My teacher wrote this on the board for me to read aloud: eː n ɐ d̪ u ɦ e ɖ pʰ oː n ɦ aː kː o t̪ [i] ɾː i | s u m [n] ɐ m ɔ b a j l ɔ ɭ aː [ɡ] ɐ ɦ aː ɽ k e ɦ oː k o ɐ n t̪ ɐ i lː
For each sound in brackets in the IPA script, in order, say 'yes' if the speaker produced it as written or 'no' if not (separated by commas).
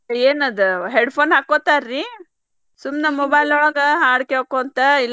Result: no, yes, yes